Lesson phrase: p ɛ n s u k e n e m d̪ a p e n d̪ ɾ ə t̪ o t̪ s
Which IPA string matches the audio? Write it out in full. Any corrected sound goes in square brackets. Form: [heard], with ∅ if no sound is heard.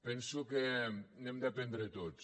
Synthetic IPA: p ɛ n s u k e n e m d̪ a p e n d̪ ɾ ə t̪ o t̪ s